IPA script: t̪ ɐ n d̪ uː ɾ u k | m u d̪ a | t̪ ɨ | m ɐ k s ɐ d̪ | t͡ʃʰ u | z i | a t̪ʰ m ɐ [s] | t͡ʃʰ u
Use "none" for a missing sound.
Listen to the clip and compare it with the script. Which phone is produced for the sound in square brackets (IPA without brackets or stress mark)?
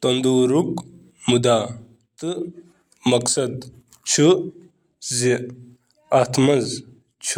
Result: z